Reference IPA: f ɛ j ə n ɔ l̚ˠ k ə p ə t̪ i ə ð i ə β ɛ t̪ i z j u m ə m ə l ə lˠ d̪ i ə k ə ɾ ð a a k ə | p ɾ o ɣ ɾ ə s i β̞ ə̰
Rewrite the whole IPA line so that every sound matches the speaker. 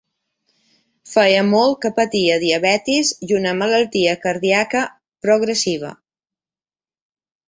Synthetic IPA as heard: f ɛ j ə m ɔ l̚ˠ k ə p ə t̪ i ə ð i ə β ɛ t̪ i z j u n ə m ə l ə lˠ t̪ i ə k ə ɾ ð i a k ə | p ɾ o ɣ ɾ ə s i β̞ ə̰